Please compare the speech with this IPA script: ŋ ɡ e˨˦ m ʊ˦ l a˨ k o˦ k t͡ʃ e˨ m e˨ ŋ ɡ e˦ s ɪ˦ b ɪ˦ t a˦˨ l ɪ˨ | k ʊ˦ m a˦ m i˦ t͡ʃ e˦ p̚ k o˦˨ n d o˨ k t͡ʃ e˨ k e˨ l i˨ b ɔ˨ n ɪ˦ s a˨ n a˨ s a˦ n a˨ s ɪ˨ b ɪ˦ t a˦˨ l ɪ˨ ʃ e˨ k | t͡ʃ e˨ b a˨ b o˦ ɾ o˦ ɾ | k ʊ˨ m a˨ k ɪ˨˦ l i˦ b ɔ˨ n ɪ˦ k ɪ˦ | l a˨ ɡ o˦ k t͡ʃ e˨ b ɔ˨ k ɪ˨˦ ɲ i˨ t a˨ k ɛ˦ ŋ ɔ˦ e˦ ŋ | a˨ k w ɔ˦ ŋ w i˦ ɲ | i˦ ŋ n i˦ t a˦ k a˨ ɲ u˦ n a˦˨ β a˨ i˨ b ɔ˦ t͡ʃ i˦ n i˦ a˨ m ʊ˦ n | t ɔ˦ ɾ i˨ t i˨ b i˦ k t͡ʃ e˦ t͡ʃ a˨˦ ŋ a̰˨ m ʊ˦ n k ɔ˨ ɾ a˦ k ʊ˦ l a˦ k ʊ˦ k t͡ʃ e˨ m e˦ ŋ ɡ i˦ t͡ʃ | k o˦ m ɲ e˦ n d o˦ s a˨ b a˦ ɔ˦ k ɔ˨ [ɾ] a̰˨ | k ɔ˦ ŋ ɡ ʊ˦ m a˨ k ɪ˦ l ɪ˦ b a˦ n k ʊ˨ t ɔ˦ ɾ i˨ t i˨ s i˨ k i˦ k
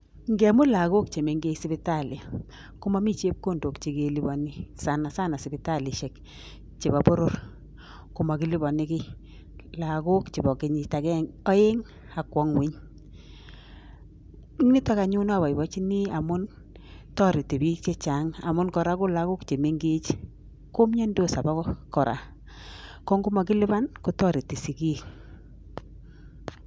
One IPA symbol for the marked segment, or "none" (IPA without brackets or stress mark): ɾ